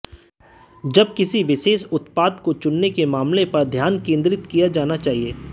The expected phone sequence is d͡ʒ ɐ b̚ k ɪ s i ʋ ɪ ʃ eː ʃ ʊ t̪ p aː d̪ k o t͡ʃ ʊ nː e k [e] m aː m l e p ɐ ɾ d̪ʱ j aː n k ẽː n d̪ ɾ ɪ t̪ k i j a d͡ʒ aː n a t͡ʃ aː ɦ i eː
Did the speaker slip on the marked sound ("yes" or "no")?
no